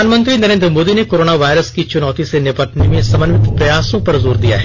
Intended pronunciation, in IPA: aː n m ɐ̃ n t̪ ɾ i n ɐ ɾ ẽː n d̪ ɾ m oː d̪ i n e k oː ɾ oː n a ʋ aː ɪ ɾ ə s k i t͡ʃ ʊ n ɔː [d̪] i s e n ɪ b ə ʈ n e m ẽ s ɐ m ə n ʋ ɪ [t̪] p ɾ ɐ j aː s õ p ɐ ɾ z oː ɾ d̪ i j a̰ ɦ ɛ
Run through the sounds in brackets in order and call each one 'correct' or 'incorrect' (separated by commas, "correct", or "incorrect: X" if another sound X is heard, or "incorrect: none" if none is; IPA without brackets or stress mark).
incorrect: t̪, correct